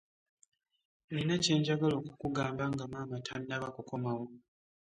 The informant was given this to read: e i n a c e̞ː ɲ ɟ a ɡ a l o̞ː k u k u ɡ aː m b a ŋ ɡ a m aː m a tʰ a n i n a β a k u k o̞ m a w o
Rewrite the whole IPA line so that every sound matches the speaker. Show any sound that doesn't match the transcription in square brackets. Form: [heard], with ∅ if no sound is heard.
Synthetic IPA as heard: e i n a c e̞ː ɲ ɟ a ɡ a l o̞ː k u k u ɡ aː m b a ŋ ɡ a m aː m a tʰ a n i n a β a k u k o̞ m a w o